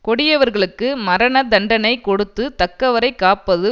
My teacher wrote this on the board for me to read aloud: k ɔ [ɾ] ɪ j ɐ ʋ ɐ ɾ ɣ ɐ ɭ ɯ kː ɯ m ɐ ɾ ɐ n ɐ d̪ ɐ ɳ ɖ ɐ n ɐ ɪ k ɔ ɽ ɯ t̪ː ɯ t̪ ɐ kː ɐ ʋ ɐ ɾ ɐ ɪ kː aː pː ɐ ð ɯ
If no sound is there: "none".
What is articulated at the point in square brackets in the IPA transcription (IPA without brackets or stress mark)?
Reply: ɽ